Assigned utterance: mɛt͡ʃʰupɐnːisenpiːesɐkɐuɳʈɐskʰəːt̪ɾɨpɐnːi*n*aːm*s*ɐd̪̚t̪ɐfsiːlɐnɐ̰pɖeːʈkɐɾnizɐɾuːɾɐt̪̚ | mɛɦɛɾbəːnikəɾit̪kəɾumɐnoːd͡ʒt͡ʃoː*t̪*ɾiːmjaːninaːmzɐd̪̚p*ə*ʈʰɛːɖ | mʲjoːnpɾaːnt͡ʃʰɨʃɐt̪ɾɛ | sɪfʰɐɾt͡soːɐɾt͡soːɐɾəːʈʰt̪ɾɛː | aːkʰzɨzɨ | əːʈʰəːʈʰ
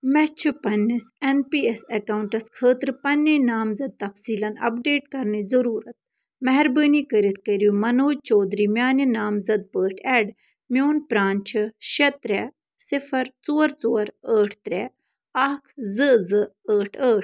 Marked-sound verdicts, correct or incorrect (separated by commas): correct, incorrect, incorrect, incorrect